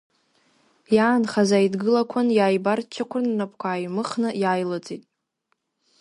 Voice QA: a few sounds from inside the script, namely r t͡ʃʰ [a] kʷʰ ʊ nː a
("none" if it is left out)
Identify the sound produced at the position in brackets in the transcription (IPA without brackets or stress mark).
a